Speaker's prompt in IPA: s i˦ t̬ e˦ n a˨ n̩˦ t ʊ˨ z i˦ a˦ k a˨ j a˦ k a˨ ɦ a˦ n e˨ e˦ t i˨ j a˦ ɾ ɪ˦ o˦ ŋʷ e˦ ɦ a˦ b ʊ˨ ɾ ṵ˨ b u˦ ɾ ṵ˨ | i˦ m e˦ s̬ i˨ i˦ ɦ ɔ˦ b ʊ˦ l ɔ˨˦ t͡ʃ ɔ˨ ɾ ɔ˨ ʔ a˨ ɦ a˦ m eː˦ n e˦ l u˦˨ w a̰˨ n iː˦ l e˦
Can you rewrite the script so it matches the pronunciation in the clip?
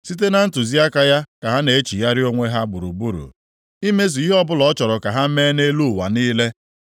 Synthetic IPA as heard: s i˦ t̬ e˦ n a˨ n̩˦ t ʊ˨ z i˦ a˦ k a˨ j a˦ k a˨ ɦ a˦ n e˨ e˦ t͡ʃ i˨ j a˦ ɾ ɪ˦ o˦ ŋʷ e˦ ɦ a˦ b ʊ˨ ɾ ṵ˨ b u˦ ɾ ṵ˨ | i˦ m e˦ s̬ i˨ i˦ ɦ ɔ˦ b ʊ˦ l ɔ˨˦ t͡ʃ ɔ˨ ɾ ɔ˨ k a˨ ɦ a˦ m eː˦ n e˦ l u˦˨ w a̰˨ n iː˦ l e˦

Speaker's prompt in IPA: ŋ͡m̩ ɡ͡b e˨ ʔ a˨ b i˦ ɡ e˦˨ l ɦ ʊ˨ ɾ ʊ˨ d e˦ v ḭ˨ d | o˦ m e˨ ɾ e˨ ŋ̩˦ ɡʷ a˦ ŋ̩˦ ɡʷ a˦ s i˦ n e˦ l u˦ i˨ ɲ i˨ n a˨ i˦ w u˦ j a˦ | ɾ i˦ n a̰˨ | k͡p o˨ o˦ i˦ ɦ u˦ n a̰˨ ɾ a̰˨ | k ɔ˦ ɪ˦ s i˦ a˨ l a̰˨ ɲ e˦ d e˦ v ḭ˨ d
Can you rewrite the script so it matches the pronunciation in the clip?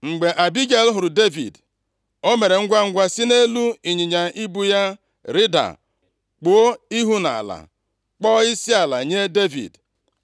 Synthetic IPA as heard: ŋ͡m̩ ɡ͡b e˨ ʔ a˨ b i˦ ɡ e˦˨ l ɦ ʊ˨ ɾ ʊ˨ d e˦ v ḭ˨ d | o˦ m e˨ ɾ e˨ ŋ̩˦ ɡʷ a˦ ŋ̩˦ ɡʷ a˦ s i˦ n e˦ l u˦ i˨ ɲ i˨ ɲ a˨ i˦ b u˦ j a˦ | ɾ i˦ d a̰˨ | k͡p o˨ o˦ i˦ ɦ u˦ n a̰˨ l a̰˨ | k͡p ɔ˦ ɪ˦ s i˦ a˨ l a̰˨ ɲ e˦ d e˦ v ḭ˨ d

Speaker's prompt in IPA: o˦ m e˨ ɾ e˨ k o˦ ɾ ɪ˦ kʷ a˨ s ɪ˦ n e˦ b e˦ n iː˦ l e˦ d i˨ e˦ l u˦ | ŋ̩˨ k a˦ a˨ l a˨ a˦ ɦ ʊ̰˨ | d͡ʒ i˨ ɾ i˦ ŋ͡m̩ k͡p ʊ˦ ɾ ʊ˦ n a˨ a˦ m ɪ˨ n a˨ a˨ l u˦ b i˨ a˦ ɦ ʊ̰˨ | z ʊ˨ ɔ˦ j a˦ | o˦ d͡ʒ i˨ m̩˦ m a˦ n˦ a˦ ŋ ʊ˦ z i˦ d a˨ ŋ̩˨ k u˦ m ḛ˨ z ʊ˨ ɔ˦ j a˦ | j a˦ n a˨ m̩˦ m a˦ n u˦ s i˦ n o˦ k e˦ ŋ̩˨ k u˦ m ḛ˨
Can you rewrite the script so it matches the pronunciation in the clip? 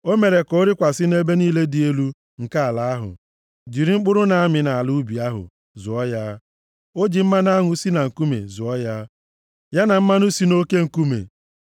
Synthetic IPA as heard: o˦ m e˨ ɾ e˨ k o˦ ɾ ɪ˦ kʷ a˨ s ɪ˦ n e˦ b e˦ n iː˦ l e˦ d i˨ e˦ l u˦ | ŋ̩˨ k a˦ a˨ l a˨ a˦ ɦ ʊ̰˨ | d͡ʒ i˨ ɾ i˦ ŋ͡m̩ k͡p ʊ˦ ɾ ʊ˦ n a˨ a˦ m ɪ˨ n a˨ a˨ l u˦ b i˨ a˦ ɦ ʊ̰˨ | z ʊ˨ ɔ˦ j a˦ | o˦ d͡ʒ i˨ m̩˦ m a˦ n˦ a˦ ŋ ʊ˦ s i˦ n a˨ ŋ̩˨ k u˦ m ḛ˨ z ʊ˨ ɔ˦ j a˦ | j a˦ n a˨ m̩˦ m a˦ n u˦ s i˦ n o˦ k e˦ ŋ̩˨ k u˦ m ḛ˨

